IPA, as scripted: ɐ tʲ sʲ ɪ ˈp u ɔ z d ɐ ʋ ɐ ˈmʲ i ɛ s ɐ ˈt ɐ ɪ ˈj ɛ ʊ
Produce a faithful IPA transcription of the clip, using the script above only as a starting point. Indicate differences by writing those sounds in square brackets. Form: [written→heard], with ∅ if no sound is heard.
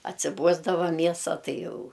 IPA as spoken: ɐ tʲ sʲ ɪ [ˈp→ˈb] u ɔ z d ɐ ʋ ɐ ˈmʲ i ɛ s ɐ ˈt ɐ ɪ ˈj ɛ ʊ